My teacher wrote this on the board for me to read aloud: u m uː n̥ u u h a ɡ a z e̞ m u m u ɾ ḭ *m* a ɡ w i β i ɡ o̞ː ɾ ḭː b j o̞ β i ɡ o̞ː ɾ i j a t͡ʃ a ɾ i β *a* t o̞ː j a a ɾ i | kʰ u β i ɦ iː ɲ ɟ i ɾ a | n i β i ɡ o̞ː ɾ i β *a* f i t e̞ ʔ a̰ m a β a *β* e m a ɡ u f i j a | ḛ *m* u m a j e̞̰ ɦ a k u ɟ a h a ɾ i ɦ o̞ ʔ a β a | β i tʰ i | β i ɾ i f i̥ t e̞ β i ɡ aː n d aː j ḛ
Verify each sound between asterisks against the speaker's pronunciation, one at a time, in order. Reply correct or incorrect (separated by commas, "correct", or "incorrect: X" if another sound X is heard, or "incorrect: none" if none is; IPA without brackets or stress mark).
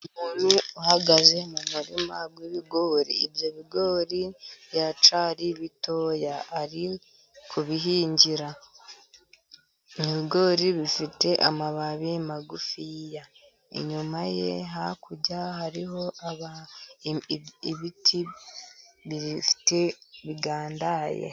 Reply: correct, incorrect: i, incorrect: i, correct, incorrect: ɲ